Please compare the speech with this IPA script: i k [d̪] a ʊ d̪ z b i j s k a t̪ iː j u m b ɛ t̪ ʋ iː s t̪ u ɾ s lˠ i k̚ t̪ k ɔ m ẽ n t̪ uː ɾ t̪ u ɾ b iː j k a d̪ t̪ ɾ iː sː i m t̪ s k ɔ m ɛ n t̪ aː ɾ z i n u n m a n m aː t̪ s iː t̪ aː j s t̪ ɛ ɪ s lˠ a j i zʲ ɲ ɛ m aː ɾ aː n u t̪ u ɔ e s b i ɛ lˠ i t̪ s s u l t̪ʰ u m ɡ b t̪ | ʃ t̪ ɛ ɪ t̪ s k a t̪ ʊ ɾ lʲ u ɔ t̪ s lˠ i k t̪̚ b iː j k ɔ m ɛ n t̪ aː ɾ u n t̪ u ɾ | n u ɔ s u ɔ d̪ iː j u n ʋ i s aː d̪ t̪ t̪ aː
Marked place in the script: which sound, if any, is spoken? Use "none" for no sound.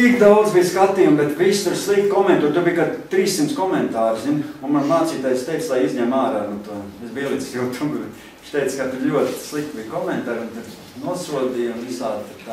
d̪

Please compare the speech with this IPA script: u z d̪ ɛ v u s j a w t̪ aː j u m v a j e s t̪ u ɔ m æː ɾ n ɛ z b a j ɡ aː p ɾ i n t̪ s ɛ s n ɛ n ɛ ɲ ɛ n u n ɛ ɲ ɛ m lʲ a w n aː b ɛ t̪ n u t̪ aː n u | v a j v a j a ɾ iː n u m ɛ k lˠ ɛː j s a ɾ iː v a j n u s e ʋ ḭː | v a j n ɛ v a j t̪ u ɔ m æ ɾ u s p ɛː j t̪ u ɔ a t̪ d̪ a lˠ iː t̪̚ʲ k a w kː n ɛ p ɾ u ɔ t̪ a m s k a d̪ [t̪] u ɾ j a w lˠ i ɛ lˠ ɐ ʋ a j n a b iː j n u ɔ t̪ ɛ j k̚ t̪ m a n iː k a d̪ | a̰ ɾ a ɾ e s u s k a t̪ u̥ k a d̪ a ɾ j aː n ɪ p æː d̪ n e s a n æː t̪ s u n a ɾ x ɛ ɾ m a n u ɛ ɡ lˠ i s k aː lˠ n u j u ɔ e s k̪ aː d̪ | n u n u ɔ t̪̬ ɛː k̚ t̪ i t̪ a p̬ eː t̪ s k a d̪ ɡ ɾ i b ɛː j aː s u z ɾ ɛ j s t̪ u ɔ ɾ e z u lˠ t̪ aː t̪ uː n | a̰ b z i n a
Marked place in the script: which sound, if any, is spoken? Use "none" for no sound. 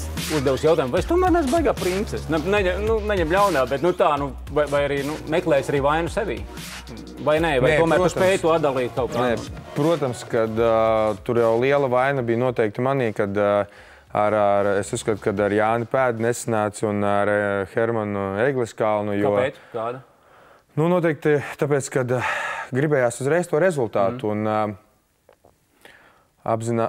t̪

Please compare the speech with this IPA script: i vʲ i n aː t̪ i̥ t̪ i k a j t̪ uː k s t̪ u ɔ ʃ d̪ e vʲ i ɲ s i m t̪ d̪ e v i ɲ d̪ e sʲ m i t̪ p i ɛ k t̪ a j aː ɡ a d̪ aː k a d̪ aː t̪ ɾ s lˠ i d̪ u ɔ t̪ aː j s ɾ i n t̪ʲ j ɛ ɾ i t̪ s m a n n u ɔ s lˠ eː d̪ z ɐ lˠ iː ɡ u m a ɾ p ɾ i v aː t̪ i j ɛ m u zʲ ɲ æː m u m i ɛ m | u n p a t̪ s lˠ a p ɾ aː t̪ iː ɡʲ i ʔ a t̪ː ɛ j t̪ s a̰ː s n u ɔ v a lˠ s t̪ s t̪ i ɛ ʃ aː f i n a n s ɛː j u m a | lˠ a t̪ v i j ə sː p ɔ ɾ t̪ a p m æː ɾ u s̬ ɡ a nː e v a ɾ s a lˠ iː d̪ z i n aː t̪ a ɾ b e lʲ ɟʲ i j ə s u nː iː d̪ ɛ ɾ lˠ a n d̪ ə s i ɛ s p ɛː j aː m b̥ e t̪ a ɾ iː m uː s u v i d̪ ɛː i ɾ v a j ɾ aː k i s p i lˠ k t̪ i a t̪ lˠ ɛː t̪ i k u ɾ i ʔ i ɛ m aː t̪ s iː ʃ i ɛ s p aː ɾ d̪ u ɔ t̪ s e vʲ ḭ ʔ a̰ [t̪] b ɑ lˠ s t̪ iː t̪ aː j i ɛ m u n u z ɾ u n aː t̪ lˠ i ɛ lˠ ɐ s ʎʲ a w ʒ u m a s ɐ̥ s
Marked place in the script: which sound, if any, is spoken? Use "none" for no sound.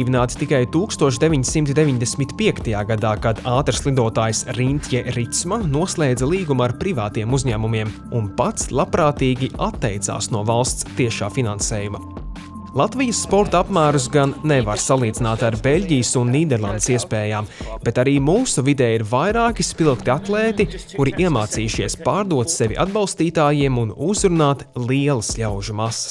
d̪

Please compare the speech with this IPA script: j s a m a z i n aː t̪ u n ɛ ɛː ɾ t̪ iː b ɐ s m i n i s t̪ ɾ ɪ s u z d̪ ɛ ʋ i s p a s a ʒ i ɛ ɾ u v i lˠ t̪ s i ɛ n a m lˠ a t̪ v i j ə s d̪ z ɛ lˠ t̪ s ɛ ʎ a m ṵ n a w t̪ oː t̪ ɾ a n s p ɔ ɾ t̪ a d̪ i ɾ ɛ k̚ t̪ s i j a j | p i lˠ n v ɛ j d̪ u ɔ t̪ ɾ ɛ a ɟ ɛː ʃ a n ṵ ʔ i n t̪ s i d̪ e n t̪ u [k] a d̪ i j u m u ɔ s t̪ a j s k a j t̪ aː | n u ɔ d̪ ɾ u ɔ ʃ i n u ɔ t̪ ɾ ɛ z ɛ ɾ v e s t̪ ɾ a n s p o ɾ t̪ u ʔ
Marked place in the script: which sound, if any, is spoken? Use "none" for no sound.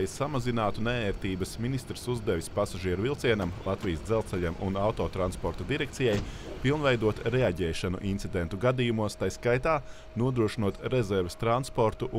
ɡ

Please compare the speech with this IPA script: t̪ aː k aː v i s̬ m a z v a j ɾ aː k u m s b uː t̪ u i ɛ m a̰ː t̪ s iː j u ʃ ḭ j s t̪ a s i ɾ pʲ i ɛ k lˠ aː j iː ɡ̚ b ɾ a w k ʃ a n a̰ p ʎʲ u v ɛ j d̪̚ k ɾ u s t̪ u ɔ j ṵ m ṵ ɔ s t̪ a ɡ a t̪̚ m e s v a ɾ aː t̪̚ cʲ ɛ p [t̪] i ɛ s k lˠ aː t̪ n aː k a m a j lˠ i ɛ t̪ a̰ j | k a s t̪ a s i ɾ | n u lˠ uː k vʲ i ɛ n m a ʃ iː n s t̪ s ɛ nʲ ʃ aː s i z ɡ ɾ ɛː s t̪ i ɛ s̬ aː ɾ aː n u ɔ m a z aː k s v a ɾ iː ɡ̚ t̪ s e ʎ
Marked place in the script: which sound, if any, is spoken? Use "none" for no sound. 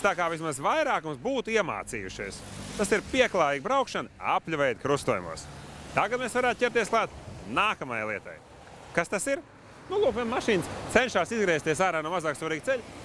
t̪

